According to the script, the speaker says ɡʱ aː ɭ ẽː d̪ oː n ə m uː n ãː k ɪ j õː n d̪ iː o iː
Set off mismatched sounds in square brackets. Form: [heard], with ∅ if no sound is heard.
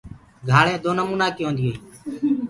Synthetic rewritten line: ɡʱ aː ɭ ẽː d̪ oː n ə m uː n [aː] k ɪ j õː n d̪ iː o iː